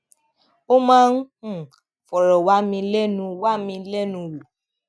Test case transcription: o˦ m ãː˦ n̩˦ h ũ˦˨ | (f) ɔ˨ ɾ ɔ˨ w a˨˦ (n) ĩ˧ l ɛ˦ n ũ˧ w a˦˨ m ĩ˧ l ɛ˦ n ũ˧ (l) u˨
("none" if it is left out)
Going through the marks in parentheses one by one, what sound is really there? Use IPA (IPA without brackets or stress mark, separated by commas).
f, m, l